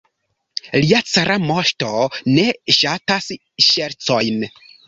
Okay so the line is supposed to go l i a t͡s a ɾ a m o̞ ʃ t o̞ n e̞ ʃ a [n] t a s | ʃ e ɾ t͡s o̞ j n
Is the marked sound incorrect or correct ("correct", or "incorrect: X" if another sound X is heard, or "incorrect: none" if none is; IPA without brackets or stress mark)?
incorrect: none